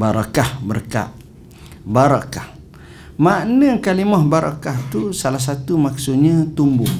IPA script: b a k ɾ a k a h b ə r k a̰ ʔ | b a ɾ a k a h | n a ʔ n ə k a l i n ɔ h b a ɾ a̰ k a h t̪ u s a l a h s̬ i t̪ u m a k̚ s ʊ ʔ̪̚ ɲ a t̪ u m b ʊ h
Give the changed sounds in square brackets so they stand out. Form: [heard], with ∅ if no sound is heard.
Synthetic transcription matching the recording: b a [∅] ɾ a k a h b ə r k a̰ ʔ | b a ɾ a k a h | [m] a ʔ n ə k a l i [m] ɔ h b a ɾ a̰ k a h t̪ u s a l a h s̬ [a] t̪ u m a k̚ s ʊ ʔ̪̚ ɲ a t̪ u m b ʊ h